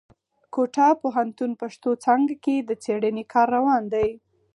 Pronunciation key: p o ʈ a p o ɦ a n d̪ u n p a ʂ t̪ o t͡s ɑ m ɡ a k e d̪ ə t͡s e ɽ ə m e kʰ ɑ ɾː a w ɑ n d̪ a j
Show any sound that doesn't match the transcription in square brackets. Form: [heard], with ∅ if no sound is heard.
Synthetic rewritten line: [k] o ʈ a p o ɦ a n [t̪] u n p a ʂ t̪ o t͡s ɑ [ŋ] ɡ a k e d̪ ə t͡s e ɽ ə [n] e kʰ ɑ ɾː a w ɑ n d̪ a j